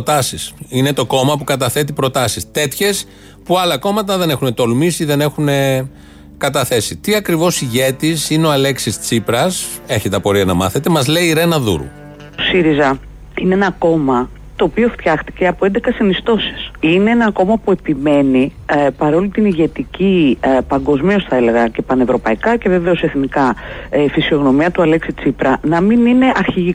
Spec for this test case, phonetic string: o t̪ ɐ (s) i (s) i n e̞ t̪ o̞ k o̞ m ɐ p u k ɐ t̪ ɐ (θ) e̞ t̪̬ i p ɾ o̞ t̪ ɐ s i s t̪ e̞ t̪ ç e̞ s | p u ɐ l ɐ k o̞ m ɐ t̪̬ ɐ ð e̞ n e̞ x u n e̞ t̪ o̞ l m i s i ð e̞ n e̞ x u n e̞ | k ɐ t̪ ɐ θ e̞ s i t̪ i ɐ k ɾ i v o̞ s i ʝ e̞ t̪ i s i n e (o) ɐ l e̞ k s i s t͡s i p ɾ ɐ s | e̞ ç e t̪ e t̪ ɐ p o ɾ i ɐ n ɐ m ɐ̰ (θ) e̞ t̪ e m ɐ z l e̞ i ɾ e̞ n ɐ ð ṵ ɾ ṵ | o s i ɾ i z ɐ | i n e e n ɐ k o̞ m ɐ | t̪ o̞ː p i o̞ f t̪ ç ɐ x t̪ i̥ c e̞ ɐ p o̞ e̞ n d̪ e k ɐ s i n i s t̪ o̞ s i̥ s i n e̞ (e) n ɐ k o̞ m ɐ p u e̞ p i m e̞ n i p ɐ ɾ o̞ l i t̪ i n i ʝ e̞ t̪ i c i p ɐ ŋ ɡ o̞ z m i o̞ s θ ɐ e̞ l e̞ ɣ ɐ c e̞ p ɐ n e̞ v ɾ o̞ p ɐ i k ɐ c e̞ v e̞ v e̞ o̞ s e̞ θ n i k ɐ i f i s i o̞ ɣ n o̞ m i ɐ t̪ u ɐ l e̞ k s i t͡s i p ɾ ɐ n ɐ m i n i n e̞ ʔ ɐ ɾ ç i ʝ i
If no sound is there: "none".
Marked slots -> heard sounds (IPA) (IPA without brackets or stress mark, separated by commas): s, s, θ, o, θ, e